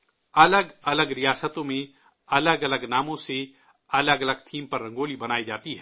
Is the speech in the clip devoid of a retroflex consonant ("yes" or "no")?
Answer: yes